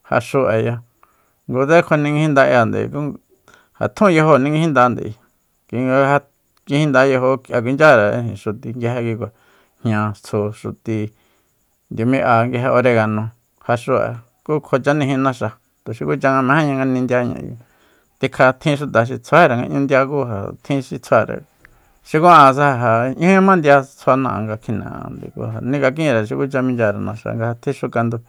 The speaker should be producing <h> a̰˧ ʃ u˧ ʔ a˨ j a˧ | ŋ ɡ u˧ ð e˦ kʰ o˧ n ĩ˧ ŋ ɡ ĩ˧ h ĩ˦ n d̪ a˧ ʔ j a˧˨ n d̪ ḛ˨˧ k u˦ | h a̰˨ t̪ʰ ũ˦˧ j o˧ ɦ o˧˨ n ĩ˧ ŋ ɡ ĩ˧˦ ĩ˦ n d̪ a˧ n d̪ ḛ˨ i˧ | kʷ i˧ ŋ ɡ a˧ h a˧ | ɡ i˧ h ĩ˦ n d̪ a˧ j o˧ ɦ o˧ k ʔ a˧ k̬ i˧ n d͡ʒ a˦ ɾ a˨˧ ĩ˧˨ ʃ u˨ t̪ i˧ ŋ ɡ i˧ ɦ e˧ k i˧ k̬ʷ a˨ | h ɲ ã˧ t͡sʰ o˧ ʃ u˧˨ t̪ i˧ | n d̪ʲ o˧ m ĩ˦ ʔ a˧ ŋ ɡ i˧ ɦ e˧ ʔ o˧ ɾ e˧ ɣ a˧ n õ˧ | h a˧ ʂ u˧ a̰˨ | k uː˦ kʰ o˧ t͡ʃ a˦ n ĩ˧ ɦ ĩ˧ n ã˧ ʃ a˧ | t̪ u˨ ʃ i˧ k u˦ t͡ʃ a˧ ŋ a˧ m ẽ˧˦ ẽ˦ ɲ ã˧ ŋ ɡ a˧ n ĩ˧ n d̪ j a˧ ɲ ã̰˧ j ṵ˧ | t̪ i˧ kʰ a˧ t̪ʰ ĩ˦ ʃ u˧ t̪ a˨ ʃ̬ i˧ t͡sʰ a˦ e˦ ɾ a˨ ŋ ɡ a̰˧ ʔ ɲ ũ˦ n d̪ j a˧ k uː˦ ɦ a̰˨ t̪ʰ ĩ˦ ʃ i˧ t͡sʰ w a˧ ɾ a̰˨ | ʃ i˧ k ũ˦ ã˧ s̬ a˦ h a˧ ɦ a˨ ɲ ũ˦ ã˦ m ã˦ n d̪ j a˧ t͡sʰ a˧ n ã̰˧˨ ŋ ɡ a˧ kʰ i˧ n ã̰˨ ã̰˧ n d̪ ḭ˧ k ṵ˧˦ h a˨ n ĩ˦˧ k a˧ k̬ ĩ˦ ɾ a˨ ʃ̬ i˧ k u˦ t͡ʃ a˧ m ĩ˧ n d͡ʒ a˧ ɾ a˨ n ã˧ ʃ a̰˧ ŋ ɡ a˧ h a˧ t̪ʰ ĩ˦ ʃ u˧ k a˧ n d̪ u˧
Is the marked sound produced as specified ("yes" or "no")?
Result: yes